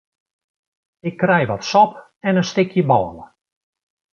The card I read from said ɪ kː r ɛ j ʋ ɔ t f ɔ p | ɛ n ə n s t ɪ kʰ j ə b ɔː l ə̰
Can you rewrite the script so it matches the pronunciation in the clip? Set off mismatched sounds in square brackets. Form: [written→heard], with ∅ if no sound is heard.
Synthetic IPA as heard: ɪ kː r ɛ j ʋ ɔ t [f→s] ɔ p | ɛ n ə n s t ɪ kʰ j ə b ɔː l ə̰